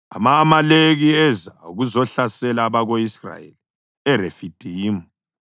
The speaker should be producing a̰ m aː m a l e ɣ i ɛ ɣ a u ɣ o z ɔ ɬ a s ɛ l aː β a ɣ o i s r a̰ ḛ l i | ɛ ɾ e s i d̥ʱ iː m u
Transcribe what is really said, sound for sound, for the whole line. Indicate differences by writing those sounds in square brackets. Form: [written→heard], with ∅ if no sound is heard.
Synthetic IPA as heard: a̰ m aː m a l e ɣ i ɛ [ɣ→z] a u ɣ [o→u] z ɔ ɬ a s ɛ l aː β a ɣ o i s r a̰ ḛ l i | ɛ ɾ e [s→f] i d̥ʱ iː m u